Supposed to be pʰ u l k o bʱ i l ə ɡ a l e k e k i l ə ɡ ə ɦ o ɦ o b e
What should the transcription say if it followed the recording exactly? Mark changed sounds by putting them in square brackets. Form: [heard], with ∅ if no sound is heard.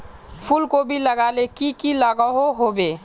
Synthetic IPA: pʰ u l k o bʱ i l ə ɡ a l e k [i] k i l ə ɡ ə ɦ o ɦ o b e